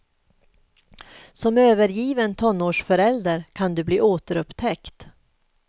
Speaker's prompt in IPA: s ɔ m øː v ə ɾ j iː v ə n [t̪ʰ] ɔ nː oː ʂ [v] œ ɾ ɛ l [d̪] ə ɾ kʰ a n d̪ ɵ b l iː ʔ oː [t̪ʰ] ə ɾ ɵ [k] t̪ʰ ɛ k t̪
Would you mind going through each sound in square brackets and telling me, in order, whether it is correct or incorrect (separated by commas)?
correct, incorrect, correct, incorrect, incorrect